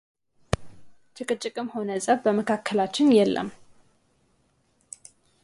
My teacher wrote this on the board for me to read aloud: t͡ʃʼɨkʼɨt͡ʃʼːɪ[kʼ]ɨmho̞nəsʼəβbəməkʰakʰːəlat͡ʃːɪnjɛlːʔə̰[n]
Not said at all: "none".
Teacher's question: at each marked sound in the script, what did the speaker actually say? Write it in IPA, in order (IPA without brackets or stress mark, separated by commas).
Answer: kʼ, m